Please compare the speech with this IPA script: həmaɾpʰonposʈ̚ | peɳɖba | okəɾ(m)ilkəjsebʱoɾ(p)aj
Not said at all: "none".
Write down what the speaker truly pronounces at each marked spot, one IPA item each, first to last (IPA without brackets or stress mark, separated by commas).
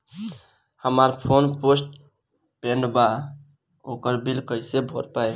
b, p